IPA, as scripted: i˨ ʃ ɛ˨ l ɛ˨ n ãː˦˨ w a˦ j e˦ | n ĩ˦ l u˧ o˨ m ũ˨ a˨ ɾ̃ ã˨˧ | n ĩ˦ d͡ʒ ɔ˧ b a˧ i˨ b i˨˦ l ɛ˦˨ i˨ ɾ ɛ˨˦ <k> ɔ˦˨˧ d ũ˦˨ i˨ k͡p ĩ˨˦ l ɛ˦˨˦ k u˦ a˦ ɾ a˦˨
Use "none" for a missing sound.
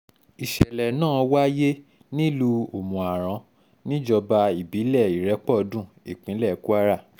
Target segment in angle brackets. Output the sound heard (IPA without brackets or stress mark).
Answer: k͡p